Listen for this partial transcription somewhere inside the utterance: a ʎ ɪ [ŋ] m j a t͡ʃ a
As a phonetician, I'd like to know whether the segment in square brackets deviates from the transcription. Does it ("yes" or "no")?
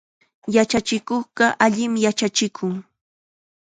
yes